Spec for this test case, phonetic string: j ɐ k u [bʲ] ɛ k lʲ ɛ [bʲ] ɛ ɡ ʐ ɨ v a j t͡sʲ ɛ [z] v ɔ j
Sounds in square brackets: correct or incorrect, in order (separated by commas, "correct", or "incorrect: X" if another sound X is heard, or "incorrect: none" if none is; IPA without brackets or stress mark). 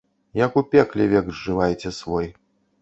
incorrect: pʲ, incorrect: vʲ, incorrect: s